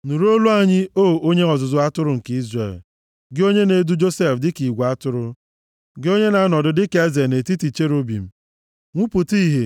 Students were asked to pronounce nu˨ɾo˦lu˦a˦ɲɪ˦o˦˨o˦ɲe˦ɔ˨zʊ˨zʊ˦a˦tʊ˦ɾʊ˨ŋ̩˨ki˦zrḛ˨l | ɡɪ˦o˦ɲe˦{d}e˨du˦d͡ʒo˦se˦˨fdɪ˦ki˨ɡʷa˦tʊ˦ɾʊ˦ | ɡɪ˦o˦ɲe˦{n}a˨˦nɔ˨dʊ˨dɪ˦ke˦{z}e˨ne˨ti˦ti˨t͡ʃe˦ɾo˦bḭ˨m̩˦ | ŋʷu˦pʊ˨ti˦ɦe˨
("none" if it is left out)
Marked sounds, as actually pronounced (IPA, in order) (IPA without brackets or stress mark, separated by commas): n, n, z